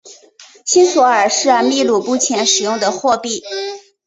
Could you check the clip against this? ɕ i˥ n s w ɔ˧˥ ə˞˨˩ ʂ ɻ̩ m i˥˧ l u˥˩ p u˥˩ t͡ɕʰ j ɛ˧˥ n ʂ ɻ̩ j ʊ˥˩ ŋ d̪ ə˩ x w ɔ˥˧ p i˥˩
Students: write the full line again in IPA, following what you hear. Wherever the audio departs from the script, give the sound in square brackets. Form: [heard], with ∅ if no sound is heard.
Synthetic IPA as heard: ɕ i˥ n s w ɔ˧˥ ə˞˨˩ ʂ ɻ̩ m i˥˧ l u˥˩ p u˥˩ t͡ɕʰ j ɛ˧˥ n ʂ ɻ̩ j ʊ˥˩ ŋ d̪ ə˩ x w ɔ˥˧ p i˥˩

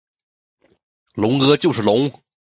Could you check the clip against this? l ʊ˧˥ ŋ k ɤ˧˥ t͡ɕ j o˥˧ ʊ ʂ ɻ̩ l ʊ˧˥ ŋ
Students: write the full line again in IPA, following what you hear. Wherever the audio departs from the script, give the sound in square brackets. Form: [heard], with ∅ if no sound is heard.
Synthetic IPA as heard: l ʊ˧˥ ŋ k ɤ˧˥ t͡ɕ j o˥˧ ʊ ʂ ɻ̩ l ʊ˧˥ ŋ

